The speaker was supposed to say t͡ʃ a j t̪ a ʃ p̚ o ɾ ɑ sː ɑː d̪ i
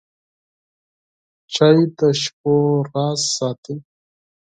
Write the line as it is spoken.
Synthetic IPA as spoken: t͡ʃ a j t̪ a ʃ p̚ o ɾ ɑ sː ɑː t̪ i